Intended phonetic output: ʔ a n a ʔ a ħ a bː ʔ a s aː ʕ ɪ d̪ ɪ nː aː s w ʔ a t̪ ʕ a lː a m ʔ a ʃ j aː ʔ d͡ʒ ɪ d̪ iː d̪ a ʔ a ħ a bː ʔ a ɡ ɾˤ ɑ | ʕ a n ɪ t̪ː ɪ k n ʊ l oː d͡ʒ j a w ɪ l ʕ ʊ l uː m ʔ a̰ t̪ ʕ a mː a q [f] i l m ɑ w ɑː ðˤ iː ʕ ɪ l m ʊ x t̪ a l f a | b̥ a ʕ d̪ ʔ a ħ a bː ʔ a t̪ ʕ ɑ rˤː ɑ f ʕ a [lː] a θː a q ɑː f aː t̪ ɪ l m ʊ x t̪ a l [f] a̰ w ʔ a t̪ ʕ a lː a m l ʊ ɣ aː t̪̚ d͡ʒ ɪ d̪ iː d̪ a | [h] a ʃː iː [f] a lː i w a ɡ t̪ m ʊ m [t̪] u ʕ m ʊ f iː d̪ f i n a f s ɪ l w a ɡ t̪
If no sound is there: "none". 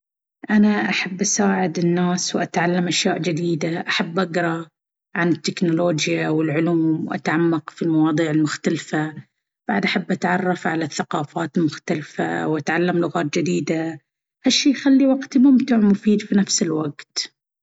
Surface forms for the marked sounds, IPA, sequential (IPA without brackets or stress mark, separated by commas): f, l, f, h, x, t̪